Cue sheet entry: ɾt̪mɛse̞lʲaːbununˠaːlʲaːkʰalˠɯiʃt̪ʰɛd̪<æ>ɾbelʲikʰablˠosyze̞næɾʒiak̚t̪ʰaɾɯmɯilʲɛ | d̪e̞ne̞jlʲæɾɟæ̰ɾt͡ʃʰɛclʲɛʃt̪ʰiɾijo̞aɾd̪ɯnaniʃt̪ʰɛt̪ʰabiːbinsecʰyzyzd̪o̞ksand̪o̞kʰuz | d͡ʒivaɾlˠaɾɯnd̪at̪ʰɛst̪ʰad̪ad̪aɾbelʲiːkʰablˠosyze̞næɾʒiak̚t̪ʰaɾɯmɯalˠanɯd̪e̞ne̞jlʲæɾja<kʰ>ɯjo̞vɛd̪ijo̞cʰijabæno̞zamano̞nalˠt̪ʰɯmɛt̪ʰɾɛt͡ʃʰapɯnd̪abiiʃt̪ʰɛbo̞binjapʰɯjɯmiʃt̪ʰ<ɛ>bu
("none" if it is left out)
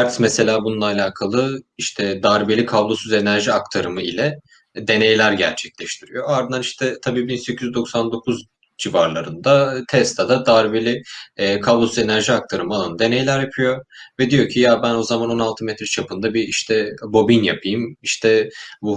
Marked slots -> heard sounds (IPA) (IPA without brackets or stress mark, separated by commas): a, pʰ, ɛ